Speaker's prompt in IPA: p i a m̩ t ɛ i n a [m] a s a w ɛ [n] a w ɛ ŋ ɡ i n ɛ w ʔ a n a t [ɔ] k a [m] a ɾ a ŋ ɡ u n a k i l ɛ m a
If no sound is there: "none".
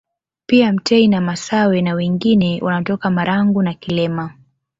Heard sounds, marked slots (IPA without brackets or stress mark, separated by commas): m, n, ɔ, m